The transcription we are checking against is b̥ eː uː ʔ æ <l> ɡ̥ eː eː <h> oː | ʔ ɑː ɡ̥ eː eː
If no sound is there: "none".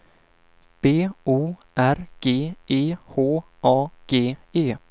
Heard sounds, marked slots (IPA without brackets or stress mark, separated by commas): ɾ, h